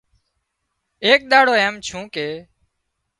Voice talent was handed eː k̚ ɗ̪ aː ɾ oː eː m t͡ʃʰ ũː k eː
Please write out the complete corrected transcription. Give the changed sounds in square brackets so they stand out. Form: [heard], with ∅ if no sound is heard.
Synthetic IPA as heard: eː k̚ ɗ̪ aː [ɽ] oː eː m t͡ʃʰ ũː k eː